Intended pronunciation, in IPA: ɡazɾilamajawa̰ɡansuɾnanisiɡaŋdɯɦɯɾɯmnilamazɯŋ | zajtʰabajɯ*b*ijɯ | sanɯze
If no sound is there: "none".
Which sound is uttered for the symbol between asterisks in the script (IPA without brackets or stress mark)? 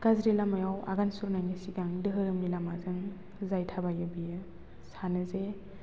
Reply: b